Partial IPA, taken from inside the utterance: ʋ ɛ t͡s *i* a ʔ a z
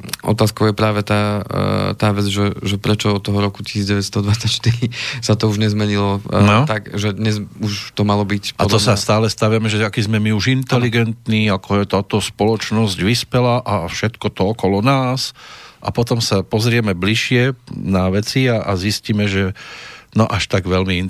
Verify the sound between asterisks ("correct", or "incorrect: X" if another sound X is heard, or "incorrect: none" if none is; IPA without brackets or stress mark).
correct